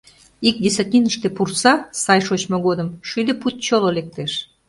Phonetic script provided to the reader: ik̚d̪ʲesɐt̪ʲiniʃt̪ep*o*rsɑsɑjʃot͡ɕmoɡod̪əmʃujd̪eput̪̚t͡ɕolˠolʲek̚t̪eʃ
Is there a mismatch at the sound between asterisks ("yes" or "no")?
yes